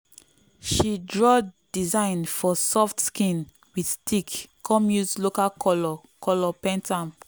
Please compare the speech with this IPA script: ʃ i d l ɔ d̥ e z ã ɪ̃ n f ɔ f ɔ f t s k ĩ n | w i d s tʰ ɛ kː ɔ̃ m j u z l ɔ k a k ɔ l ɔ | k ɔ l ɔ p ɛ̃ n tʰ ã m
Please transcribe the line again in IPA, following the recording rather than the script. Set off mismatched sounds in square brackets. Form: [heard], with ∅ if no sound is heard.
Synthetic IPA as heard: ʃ i d [ɹ] ɔ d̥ [i] z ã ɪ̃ n f ɔ [s] ɔ f t s k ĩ n | w i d s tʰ [i] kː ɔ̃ m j u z l [o] k a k ɔ l ɔ | k ɔ l ɔ p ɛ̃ n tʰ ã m